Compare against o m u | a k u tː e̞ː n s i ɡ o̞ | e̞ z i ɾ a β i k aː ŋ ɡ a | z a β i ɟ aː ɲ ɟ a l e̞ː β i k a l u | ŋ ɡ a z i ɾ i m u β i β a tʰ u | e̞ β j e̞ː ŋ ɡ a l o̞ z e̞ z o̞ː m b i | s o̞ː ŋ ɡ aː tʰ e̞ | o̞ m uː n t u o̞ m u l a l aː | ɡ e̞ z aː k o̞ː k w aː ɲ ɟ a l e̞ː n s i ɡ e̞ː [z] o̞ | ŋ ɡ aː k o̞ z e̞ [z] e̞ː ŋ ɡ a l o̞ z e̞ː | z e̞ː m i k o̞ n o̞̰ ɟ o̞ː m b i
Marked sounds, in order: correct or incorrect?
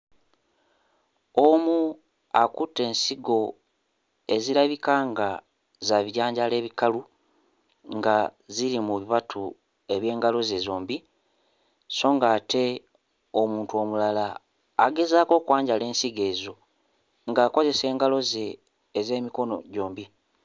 correct, incorrect: s

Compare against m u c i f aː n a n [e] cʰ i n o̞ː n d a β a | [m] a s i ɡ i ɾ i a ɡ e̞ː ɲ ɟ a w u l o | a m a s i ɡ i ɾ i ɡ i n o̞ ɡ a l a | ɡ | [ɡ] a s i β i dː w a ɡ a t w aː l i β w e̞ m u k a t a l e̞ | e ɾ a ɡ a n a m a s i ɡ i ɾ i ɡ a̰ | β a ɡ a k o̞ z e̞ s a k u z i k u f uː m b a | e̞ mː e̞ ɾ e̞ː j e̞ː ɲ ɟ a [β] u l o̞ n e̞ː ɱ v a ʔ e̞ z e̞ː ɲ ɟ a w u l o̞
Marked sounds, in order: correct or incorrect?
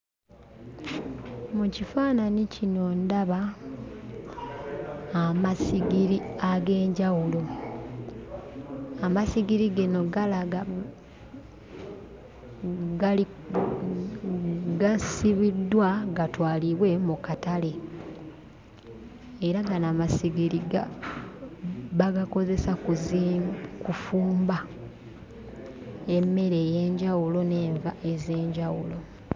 incorrect: i, correct, correct, incorrect: w

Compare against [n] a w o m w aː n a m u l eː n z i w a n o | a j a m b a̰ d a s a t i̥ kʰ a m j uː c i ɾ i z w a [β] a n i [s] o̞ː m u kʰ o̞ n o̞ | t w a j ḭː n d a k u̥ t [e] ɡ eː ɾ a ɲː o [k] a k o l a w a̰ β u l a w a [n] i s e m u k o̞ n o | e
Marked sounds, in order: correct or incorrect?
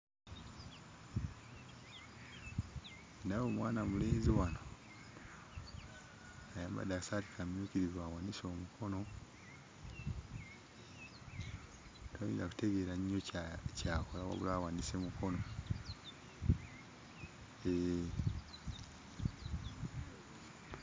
correct, incorrect: w, correct, correct, incorrect: c, correct

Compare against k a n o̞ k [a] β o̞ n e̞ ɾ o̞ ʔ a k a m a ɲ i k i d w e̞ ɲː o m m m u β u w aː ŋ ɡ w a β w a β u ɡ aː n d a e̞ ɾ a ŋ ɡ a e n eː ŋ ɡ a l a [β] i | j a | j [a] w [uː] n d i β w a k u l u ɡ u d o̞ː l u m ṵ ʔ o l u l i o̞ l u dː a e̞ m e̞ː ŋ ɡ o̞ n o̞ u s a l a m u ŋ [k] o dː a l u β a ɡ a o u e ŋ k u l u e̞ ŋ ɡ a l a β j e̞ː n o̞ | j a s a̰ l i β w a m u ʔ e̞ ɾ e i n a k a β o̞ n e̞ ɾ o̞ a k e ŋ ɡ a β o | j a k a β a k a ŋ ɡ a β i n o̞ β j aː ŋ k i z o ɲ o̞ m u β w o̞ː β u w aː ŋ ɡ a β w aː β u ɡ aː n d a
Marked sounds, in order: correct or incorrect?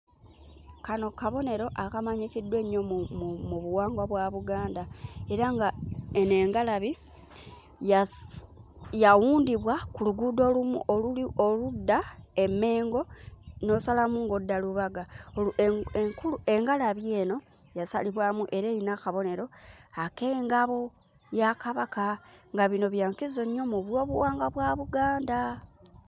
correct, correct, correct, correct, incorrect: ɡ

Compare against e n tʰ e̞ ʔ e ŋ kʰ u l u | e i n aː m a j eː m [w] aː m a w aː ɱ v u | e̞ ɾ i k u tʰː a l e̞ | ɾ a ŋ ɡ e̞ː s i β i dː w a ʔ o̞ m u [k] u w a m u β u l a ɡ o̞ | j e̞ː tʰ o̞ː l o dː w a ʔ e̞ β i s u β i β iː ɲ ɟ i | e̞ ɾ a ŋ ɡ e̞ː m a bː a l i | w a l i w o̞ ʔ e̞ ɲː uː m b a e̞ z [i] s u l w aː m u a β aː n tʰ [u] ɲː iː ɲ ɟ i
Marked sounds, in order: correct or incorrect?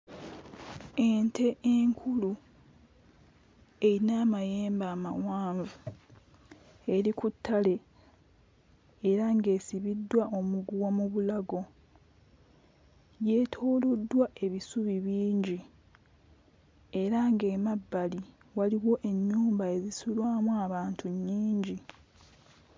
incorrect: b, incorrect: ɡ, correct, correct

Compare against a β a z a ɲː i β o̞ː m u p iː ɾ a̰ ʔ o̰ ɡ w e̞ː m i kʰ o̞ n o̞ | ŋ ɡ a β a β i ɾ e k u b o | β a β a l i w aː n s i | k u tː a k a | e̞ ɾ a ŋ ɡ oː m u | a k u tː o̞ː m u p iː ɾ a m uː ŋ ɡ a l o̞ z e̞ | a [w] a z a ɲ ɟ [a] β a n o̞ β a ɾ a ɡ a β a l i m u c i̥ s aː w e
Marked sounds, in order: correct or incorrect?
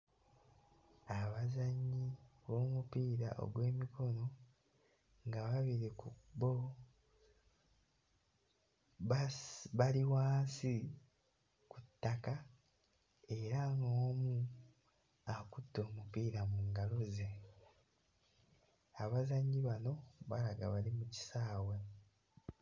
incorrect: β, incorrect: i

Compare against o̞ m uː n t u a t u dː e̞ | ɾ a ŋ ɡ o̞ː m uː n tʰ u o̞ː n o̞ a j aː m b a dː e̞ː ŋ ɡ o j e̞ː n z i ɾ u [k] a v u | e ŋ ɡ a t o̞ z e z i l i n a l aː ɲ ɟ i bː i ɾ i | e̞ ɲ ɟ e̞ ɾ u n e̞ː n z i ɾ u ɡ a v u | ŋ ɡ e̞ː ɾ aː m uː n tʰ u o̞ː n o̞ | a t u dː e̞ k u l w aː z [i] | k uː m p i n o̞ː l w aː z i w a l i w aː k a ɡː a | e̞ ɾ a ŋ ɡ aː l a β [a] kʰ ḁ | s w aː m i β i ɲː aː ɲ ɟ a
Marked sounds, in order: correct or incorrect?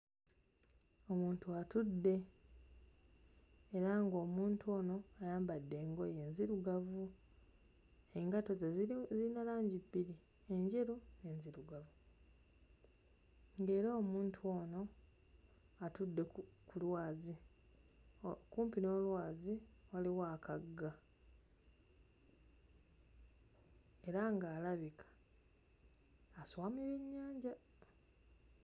incorrect: ɡ, correct, incorrect: i

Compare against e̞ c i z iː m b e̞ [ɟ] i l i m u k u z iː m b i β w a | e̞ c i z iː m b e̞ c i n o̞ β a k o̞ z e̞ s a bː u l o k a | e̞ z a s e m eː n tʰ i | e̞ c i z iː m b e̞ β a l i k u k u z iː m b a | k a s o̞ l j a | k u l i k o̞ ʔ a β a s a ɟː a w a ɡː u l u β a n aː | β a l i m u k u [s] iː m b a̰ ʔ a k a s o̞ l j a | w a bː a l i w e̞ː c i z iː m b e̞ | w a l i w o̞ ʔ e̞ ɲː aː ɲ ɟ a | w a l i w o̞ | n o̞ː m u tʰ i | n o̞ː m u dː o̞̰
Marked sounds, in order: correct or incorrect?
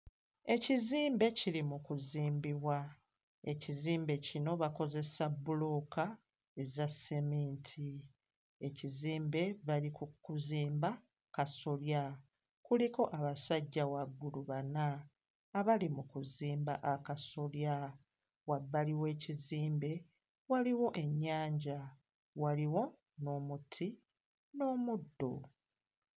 incorrect: c, incorrect: z

